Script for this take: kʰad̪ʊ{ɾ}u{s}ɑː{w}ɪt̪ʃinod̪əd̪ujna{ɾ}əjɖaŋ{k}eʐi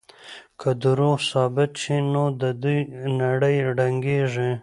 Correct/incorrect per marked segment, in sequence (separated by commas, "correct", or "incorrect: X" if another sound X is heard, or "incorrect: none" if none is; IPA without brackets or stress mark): correct, correct, incorrect: b, incorrect: ɽ, incorrect: ɡ